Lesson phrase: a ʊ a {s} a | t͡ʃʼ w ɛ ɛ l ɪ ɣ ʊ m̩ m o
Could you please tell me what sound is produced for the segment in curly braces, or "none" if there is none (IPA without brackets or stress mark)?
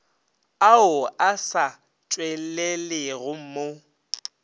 s